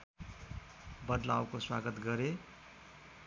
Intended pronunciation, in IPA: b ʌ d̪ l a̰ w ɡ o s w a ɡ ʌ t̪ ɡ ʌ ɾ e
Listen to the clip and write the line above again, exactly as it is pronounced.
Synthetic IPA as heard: b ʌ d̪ l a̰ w k o s w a ɡ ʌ t̪ ɡ ʌ ɾ e